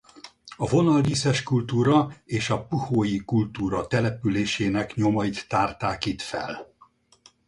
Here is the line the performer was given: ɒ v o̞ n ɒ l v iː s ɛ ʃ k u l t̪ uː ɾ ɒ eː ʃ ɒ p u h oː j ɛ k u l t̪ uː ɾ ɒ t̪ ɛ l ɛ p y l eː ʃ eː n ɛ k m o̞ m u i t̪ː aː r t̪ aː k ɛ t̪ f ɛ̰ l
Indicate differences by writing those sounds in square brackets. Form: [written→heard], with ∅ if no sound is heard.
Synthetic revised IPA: ɒ v o̞ n ɒ l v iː s ɛ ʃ k u l t̪ uː ɾ ɒ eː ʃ ɒ p u h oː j [ɛ→i] k u l t̪ uː ɾ ɒ t̪ ɛ l ɛ p y l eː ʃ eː n ɛ k [m→ɲ] o̞ m [u→ɒ] i t̪ː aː r t̪ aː k [ɛ→i] t̪ f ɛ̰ l